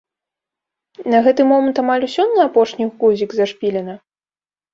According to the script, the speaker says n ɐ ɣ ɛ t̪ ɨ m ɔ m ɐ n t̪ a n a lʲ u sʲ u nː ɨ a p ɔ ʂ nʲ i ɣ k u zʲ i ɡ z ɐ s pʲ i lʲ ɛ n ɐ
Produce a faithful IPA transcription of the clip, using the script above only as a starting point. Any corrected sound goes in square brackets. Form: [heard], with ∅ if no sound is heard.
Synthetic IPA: n ɐ ɣ ɛ t̪ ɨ m ɔ m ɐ n t̪ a [m] a lʲ u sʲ [ɔ] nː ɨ a p ɔ ʂ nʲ i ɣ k u zʲ i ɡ z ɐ [ʂ] pʲ i lʲ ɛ n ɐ